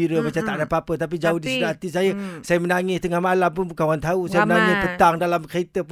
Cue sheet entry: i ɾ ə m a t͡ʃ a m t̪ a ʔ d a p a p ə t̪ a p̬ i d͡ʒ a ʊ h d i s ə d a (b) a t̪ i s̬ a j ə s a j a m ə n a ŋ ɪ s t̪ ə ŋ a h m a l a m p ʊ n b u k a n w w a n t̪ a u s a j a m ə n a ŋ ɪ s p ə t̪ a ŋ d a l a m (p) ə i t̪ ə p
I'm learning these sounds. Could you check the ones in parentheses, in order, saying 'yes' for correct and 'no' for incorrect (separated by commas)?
no, no